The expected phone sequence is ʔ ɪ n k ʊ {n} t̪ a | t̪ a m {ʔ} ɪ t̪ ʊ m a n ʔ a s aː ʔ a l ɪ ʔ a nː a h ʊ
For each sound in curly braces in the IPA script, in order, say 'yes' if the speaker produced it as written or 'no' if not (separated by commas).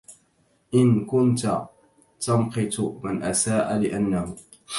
yes, no